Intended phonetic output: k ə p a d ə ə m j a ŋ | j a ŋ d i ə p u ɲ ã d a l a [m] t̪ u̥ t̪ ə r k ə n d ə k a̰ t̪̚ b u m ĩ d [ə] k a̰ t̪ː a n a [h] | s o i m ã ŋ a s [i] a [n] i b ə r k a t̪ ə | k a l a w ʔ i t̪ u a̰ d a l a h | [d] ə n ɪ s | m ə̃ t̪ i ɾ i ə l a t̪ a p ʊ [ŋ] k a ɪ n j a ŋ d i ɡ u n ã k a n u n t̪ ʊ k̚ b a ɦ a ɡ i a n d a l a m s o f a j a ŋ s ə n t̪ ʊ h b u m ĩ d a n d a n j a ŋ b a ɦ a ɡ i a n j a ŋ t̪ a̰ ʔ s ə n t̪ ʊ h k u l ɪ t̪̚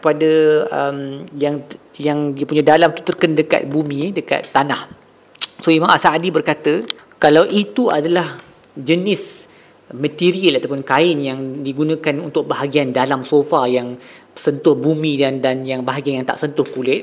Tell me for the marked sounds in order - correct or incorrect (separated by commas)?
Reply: correct, correct, correct, incorrect, incorrect, incorrect, incorrect